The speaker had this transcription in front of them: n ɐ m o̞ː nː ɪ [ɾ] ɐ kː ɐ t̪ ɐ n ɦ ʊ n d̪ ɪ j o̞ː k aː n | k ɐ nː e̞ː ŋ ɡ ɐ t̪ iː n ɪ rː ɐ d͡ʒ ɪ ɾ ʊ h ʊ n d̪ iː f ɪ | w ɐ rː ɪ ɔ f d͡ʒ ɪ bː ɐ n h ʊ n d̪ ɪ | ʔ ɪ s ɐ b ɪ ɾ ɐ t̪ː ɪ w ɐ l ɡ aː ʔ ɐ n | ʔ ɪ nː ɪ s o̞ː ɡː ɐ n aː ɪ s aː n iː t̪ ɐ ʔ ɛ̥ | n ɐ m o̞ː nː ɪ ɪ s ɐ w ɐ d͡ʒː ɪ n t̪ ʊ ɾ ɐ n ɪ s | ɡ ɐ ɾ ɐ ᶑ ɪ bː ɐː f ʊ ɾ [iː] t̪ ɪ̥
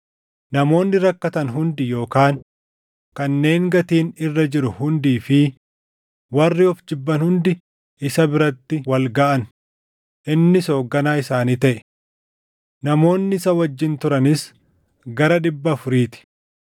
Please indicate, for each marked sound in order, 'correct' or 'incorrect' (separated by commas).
correct, correct